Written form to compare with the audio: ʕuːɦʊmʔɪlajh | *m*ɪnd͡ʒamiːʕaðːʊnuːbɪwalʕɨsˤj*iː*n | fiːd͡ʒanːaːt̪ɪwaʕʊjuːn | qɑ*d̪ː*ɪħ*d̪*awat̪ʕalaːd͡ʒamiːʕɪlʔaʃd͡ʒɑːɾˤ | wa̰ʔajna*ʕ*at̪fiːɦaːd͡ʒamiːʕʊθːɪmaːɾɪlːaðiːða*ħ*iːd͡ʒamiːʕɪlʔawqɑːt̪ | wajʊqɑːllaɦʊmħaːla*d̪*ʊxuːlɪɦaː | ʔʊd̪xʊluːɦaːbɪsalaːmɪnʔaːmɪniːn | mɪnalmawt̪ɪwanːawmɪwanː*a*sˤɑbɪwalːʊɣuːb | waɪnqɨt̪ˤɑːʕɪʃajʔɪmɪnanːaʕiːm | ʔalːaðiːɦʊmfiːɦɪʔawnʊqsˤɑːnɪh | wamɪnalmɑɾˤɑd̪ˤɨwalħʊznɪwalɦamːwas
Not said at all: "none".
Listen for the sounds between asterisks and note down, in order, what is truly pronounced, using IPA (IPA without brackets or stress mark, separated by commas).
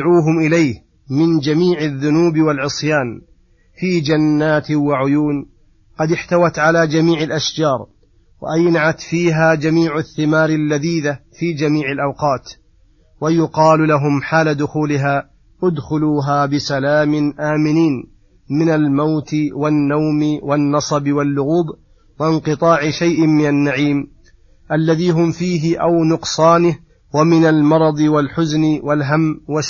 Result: m, aː, d̪, t̪, ʕ, f, d̪, ɑ